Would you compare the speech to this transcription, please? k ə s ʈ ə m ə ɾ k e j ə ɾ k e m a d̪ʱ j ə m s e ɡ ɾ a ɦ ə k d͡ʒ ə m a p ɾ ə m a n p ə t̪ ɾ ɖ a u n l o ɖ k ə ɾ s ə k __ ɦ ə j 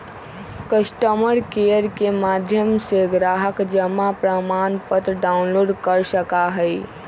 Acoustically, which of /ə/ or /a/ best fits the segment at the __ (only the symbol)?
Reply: a